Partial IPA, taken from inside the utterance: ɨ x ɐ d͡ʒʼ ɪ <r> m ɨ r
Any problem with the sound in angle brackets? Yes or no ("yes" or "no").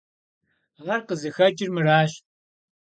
no